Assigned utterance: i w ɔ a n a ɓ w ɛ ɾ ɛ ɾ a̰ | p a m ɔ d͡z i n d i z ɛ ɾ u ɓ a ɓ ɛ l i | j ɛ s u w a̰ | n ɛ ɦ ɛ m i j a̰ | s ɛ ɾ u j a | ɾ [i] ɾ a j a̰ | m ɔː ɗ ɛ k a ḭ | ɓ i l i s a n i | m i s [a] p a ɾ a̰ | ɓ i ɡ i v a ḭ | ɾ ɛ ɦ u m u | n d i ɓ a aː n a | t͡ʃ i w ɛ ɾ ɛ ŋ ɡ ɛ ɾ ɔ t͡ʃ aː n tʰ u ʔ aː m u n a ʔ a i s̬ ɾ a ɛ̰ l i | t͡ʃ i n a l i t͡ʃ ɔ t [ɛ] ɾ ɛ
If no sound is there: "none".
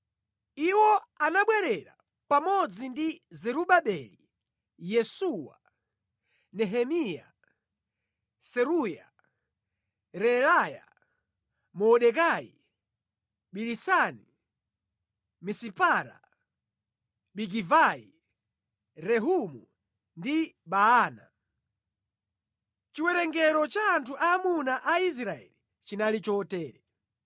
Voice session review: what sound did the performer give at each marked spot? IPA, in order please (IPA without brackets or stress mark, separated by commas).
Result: ɛ, i, ɛː